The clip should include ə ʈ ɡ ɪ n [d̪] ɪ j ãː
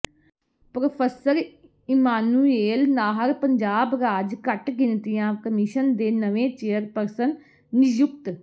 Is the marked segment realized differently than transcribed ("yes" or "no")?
yes